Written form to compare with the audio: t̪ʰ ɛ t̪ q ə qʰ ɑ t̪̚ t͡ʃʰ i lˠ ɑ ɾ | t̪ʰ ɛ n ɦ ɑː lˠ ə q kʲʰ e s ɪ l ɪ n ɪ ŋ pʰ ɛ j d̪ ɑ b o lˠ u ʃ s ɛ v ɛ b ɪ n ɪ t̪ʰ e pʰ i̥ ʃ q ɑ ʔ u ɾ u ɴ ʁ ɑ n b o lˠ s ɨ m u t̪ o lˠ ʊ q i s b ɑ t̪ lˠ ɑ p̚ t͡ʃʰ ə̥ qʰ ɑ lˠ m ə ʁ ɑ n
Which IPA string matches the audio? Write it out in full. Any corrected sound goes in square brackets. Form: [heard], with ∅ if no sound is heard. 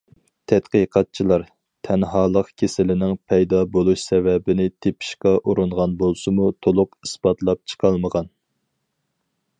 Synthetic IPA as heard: t̪ʰ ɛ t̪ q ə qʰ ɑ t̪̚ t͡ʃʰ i lˠ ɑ ɾ | t̪ʰ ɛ n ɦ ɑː lˠ ə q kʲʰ e s ɪ l ɪ n ɪ ŋ pʰ ɛ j d̪ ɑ b o lˠ u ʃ s ɛ v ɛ b ɪ n ɪ t̪ʰ e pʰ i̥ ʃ q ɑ ʔ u ɾ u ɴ ʁ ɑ n b o lˠ s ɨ m u [t̪ʰ] o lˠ ʊ q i s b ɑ t̪ lˠ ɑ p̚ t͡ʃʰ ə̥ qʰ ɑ lˠ m ə ʁ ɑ n